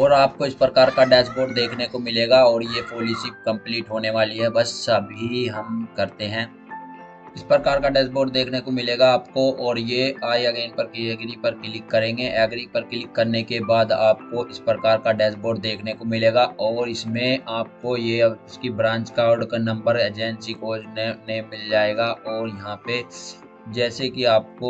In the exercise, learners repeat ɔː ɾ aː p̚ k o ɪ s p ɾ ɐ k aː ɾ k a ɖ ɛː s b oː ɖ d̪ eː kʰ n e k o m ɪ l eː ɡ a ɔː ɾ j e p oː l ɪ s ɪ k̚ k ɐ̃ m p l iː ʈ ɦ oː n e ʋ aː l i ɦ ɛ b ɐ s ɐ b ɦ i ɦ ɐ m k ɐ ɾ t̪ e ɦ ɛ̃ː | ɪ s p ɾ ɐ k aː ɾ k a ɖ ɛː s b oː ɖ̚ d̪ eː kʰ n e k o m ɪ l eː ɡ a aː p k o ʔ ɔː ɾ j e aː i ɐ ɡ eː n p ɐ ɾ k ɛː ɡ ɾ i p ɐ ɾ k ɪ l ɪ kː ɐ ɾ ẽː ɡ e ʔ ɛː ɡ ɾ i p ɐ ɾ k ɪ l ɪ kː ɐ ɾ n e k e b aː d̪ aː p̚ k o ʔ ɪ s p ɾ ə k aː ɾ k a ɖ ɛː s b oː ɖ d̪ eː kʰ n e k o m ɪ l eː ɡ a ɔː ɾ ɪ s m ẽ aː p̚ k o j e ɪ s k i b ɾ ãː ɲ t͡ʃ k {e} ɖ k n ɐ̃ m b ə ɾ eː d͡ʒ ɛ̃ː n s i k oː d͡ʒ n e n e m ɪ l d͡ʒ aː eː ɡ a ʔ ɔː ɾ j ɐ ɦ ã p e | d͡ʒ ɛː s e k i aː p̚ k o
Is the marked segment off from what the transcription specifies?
yes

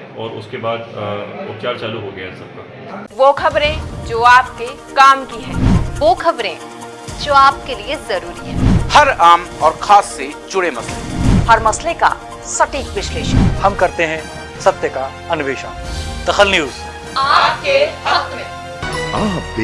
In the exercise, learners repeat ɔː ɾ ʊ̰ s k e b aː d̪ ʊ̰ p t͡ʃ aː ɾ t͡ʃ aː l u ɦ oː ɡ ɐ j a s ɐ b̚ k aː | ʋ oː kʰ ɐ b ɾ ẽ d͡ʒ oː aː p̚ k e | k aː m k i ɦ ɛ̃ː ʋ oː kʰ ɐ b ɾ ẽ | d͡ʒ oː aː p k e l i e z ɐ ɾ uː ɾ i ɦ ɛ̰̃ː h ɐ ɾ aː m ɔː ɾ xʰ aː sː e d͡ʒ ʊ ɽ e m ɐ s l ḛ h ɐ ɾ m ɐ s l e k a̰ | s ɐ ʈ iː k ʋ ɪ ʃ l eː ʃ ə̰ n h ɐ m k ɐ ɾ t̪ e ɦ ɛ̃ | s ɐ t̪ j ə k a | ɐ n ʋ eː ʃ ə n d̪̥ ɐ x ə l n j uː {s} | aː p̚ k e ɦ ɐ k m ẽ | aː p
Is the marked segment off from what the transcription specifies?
yes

